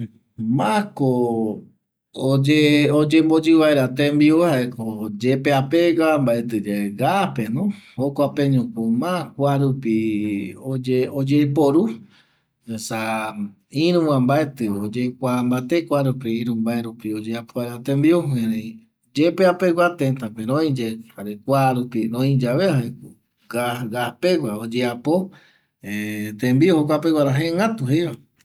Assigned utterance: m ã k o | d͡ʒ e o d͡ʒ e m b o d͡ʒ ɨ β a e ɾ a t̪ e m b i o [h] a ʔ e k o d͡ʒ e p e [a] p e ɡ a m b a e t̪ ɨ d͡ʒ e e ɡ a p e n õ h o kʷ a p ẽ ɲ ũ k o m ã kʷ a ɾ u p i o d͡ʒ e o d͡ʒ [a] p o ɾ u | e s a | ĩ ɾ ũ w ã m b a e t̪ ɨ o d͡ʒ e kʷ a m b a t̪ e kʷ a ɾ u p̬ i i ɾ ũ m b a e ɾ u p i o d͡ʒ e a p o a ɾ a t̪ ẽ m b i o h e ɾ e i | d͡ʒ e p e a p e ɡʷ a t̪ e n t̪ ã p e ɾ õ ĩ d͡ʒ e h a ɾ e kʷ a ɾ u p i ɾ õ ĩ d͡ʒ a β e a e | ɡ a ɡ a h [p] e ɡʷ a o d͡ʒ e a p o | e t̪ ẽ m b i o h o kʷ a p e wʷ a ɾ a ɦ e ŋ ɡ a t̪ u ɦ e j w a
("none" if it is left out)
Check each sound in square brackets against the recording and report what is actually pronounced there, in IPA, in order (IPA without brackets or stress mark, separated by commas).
h, a, e, p